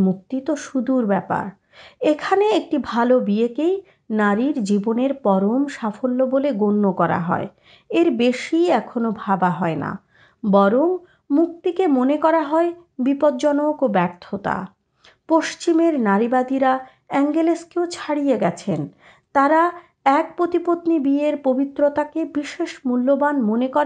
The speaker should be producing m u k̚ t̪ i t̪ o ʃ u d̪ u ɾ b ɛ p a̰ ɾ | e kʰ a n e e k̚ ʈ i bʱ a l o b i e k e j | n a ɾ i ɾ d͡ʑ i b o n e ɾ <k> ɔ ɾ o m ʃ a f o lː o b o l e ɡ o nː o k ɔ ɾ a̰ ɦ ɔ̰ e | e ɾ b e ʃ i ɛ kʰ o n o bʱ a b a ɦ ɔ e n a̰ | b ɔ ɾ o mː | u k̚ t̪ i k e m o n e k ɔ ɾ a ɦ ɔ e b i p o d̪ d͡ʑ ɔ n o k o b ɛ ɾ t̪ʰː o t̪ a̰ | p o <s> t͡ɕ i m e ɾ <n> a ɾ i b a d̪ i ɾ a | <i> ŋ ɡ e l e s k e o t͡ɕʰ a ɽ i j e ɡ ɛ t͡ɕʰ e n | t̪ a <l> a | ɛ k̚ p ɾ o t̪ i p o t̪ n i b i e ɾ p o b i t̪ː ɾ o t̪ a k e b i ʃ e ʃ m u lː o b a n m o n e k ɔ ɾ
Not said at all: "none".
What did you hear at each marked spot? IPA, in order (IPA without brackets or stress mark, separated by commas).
p, ʃ, n, ɛ, ɾ